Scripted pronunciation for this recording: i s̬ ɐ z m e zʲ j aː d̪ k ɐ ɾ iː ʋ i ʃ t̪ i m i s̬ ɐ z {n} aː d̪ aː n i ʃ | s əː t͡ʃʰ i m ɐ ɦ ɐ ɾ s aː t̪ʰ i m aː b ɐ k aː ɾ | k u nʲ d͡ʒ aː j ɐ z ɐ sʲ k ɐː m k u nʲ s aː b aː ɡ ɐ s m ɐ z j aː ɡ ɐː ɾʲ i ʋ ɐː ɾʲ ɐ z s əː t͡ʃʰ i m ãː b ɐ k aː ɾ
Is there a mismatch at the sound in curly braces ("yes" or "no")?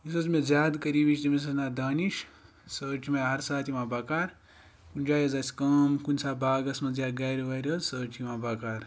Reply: no